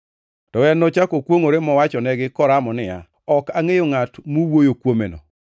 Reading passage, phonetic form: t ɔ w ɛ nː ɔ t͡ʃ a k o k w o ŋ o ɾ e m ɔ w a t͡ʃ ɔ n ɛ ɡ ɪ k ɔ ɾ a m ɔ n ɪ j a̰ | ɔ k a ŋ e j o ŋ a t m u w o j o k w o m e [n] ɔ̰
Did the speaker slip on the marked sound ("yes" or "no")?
no